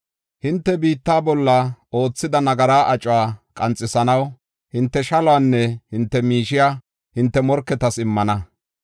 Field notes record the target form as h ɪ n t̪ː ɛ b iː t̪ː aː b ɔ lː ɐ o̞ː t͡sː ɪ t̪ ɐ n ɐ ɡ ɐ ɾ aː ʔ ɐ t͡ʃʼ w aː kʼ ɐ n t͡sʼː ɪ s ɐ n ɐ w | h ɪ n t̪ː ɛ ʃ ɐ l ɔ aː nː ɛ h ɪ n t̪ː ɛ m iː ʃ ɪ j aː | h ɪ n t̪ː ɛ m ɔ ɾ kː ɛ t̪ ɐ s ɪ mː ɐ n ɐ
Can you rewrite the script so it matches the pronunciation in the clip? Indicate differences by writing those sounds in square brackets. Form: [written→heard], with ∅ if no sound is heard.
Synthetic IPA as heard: h ɪ n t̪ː ɛ b iː t̪ː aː b ɔ lː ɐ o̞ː t͡sː ɪ [t̪→d̪] ɐ n ɐ ɡ ɐ ɾ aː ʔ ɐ t͡ʃʼ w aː kʼ ɐ n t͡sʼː ɪ s ɐ n ɐ w | h ɪ n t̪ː ɛ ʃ ɐ l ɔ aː nː ɛ h ɪ n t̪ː ɛ m iː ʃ ɪ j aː | h ɪ n t̪ː ɛ m ɔ ɾ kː ɛ t̪ ɐ s ɪ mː ɐ n ɐ